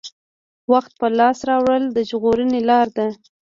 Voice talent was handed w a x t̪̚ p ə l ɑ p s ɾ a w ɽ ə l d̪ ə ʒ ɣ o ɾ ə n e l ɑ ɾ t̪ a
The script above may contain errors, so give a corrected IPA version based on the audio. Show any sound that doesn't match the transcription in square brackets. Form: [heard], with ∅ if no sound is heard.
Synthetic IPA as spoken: w a x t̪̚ p ə l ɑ [∅] s ɾ [ɑ] w ɽ ə l d̪ ə ʒ ɣ o ɾ ə n e l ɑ ɾ [d̪] a